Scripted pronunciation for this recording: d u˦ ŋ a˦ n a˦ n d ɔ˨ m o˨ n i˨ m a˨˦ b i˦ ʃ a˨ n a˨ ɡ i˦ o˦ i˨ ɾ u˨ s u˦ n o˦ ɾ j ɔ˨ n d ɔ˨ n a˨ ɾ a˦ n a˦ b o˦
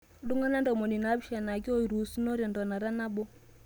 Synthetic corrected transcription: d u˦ ŋ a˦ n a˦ n d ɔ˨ m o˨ n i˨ n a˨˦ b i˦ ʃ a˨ n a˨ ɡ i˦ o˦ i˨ ɾ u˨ s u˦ n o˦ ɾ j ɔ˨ n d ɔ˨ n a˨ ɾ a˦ n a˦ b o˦